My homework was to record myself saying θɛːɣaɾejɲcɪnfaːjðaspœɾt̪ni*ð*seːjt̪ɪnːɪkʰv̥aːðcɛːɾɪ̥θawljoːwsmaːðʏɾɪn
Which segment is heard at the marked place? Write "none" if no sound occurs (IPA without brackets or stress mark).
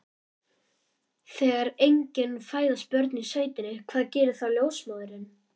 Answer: none